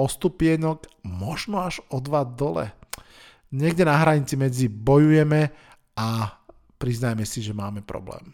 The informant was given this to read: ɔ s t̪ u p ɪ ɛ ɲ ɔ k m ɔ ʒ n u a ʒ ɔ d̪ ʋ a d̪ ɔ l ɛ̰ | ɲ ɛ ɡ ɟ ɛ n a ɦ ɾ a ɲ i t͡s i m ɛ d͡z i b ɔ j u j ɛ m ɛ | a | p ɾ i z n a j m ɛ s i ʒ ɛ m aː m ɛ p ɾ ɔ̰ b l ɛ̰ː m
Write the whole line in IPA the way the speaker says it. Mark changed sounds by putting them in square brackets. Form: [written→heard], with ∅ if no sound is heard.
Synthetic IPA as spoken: ɔ s t̪ u p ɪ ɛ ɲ ɔ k m ɔ ʒ n [u→ɔ] a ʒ ɔ d̪ ʋ a d̪ ɔ l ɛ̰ | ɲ ɛ ɡ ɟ ɛ n a ɦ ɾ a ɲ i t͡s i m ɛ d͡z i b ɔ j u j ɛ m ɛ | a | p ɾ i z n a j m ɛ s i ʒ ɛ m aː m ɛ p ɾ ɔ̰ b l ɛ̰ː m